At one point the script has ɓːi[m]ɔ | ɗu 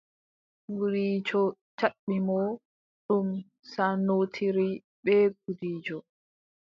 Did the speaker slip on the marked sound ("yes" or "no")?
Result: no